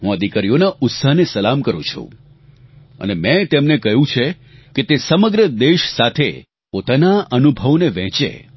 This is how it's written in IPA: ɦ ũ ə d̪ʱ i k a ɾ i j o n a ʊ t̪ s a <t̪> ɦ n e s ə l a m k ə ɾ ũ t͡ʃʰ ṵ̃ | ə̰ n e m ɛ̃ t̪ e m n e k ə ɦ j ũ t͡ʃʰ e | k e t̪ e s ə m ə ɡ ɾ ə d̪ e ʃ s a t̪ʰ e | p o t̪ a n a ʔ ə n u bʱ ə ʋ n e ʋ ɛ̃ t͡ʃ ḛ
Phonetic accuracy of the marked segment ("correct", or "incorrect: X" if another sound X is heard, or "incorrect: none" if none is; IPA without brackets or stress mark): incorrect: none